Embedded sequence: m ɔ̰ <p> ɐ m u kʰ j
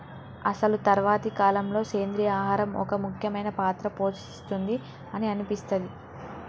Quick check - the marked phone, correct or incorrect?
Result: incorrect